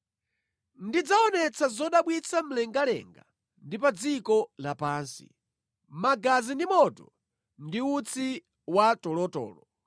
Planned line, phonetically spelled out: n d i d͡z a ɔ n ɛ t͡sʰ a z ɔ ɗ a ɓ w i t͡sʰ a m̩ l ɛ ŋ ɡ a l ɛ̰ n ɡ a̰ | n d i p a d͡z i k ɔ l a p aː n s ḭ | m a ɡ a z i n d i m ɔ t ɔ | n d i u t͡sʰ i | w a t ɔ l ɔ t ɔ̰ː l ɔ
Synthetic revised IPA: n d i d͡z a ɔ n ɛ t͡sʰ a z ɔ ɗ a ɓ w i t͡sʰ a m̩ l ɛ ŋ ɡ a l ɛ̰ ŋ ɡ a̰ | n d i p a d͡z i k ɔ l a p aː n s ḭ | m a ɡ a z i n d i m ɔ t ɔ | n d i u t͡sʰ i | w a t ɔ l ɔ t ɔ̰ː l ɔ